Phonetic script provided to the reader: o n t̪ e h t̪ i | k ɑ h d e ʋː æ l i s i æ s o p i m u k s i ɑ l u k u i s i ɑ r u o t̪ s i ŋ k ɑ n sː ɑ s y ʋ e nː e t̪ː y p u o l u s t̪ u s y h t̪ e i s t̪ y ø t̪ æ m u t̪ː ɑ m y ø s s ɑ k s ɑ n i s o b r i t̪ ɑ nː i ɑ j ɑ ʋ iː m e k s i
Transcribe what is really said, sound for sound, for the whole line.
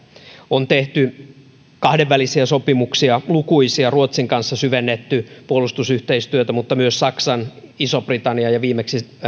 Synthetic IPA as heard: o n t̪ e h t̪ y | k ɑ h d e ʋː æ l i s i æ s o p i m u k s i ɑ l u k u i s i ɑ r u o t̪ s i ŋ k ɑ n sː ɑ s y ʋ e nː e t̪ː y p u o l u s t̪ u s y h t̪ e i s t̪ y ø t̪ æ m u t̪ː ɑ m y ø s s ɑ k s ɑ n i s o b r i t̪ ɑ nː i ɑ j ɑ ʋ iː m e k s i